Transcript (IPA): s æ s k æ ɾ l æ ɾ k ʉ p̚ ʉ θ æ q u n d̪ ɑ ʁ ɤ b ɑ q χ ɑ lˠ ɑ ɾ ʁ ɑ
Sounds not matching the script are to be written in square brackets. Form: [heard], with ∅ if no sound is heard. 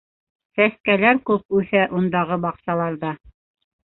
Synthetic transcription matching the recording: s æ s k æ [∅] l æ ɾ k ʉ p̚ ʉ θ æ [ʔ] u n d̪ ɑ ʁ ɤ b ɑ q [s] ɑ lˠ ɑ ɾ [ð] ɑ